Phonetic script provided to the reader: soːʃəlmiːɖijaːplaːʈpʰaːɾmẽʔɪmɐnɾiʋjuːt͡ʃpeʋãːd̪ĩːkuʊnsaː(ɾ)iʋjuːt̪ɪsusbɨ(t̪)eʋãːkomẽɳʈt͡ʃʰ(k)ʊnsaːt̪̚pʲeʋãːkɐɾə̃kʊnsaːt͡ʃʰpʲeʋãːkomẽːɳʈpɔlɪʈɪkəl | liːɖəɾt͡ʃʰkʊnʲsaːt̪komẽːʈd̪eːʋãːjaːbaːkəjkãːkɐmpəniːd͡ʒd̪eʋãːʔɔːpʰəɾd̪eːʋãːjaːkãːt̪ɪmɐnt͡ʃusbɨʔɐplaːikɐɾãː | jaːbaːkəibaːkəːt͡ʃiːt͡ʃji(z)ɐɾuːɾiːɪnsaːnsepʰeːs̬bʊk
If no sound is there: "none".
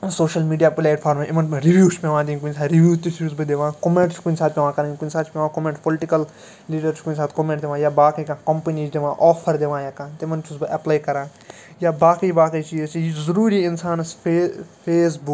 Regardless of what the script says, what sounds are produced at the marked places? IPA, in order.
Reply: ɾ, d̪, k, z

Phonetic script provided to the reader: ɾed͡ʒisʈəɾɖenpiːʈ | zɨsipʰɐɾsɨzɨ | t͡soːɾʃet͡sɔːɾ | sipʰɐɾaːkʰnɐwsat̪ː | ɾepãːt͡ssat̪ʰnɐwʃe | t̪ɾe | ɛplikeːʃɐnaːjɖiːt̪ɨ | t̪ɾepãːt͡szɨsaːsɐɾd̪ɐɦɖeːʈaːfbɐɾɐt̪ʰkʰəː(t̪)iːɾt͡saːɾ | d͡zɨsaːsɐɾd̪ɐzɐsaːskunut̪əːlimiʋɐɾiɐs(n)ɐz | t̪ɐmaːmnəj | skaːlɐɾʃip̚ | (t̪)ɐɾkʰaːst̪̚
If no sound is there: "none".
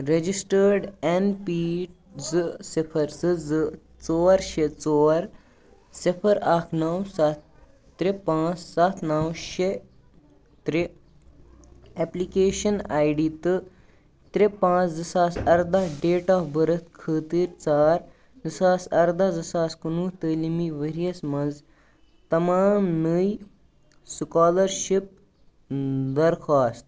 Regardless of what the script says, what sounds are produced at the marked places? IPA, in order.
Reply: t̪, m, d̪

